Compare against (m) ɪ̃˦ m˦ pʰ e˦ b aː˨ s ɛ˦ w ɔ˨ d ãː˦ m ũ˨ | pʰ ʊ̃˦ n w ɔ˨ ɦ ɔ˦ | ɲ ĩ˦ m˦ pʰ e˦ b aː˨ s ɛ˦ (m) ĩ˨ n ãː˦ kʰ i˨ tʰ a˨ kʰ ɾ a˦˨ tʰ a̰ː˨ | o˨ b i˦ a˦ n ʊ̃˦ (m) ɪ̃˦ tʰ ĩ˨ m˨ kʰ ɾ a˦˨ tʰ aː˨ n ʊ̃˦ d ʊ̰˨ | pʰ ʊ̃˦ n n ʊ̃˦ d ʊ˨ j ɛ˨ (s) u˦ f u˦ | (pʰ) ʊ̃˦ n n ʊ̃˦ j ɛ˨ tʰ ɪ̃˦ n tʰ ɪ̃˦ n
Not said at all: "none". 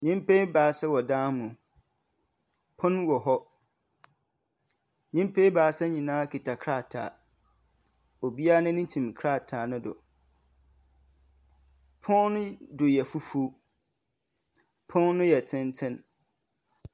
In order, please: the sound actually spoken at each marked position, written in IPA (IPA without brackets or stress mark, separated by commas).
ɲ, ɲ, n, f, pʰ